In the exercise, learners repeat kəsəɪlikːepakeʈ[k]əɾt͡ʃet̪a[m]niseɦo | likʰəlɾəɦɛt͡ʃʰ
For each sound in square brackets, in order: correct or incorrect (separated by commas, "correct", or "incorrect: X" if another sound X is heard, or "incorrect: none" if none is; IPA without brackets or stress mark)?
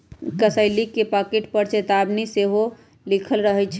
incorrect: p, incorrect: b